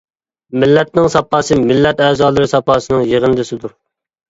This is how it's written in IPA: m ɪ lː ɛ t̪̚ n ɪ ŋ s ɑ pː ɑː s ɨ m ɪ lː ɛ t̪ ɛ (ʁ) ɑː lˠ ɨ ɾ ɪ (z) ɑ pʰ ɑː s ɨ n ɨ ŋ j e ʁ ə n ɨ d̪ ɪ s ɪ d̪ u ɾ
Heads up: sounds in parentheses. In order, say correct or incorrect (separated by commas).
incorrect, incorrect